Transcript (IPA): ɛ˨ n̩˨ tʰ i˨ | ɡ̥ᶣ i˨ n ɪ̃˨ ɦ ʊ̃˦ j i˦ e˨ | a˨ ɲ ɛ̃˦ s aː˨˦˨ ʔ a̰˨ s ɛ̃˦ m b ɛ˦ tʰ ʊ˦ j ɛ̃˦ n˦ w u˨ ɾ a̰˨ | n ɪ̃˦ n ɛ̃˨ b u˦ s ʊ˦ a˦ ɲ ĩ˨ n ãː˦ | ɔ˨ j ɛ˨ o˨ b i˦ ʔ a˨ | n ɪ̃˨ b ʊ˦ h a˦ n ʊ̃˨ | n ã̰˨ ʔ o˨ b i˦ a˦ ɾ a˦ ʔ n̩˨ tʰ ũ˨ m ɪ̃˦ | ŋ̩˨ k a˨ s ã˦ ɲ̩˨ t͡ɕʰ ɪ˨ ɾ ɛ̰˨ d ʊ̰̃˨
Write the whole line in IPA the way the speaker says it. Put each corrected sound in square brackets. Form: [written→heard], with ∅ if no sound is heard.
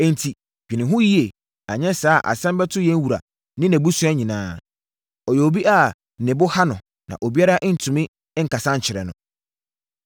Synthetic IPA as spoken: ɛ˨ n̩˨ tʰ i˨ | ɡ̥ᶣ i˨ n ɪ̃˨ ɦ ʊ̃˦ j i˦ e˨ | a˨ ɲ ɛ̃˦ s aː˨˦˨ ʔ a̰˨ s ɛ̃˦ m b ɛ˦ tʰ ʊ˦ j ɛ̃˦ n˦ w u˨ ɾ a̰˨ | n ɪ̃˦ n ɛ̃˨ b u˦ s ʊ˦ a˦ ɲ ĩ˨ n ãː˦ | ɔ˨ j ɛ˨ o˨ b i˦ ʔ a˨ | n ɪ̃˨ b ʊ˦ h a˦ n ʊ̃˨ | n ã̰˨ ʔ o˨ b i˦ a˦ ɾ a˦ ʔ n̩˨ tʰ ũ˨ m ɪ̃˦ | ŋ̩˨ k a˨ s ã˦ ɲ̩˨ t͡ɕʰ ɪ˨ ɾ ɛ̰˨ [d→n] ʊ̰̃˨

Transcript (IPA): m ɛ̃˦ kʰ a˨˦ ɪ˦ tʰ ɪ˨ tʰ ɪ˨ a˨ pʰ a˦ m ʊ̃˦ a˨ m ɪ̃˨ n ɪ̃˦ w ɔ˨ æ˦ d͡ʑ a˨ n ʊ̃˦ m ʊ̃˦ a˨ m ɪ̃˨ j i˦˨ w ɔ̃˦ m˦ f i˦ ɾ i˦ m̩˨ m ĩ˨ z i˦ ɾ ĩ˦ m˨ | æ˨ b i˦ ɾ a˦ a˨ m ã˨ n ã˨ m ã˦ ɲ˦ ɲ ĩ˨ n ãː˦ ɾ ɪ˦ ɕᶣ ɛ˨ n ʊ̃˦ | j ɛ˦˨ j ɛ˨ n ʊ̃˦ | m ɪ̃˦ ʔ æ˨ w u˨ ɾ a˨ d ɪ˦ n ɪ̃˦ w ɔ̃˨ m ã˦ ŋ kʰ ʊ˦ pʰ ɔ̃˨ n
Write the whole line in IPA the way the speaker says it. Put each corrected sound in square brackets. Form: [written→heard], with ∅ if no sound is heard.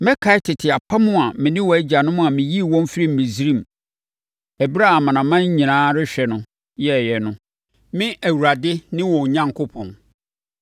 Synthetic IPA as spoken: m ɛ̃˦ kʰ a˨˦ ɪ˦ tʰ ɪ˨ tʰ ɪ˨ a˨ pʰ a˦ m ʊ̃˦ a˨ m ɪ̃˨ n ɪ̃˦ w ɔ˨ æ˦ d͡ʑ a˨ n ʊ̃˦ m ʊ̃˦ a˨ m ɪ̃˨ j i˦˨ w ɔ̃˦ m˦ f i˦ ɾ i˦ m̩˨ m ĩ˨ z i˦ ɾ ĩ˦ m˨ | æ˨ b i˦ ɾ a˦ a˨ m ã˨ n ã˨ m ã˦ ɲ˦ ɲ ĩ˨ n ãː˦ ɾ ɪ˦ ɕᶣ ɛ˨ n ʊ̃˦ | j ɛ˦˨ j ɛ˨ n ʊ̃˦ | m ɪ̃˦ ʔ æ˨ w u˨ ɾ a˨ d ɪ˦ n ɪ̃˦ w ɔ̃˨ [m→ɲ] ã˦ ŋ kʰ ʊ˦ pʰ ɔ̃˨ n

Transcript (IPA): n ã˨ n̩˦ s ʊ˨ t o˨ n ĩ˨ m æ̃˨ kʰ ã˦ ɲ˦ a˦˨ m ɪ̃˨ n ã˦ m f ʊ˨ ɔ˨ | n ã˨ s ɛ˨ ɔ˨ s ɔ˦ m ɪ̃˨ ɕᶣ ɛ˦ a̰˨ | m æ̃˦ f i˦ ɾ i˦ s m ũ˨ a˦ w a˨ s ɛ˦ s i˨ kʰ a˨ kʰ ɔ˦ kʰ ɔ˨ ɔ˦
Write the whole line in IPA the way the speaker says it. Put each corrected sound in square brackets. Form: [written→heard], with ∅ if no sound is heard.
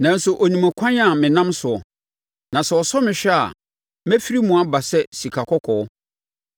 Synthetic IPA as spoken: n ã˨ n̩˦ s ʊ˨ [t→ʔ] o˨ n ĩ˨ m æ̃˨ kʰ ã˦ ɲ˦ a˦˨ m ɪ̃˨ n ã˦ m [f→s] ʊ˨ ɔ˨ | n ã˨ s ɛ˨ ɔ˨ s ɔ˦ m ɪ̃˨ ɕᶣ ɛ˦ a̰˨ | m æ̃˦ f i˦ ɾ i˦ [s→∅] m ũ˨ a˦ [w→b] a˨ s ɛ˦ s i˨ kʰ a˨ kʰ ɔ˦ kʰ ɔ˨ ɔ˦

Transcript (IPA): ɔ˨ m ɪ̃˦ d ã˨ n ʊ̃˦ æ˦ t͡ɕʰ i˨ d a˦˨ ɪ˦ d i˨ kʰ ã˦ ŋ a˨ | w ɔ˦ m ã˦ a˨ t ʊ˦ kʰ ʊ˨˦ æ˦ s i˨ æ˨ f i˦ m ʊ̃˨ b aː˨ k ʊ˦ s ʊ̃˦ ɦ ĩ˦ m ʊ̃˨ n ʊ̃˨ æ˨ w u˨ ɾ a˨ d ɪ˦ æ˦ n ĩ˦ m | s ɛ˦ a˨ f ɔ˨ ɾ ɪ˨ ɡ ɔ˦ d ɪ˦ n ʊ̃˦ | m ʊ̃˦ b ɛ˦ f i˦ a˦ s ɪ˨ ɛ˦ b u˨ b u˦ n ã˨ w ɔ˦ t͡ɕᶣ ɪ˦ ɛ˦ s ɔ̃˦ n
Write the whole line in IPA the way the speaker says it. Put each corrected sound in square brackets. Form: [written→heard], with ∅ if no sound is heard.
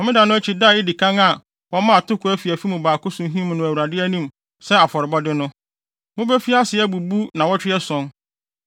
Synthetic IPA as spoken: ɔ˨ m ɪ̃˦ d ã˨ n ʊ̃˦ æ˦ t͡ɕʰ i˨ d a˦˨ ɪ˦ d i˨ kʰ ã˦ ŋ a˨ | w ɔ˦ m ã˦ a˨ t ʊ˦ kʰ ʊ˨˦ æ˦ [s→f] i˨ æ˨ f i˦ m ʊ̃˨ b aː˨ k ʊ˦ s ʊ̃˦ ɦ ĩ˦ m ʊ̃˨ n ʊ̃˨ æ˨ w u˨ ɾ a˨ d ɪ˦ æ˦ n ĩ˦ m | s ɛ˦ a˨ f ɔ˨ ɾ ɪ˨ [ɡ→b] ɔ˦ d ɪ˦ n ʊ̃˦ | m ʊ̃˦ b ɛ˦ f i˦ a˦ s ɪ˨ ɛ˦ b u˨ b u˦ n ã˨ w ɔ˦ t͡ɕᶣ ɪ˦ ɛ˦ s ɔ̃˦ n

